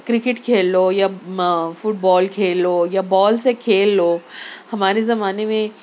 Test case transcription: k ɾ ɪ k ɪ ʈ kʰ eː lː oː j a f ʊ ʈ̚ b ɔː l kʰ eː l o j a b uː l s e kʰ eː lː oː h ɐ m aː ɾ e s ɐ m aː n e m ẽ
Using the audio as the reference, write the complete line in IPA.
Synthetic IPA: k ɾ ɪ k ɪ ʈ kʰ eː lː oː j a f ʊ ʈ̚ b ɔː l kʰ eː l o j a b ɔː l s e kʰ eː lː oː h ɐ m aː ɾ e z ɐ m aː n e m ẽ

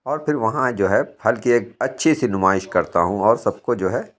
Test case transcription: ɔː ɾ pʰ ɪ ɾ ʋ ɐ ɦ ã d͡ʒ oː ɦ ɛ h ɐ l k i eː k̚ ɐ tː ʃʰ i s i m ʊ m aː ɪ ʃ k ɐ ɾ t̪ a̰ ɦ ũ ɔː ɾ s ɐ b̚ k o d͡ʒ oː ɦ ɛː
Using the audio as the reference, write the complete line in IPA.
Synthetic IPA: ɔː ɾ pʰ ɪ ɾ ʋ ɐ ɦ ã d͡ʒ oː ɦ ɛ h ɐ l k i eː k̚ ɐ tː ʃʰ i s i n ʊ m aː ɪ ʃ k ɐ ɾ t̪ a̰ ɦ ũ ɔː ɾ s ɐ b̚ k o d͡ʒ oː ɦ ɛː

